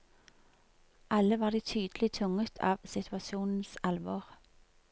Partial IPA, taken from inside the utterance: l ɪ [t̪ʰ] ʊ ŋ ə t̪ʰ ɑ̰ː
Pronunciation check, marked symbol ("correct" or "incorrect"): correct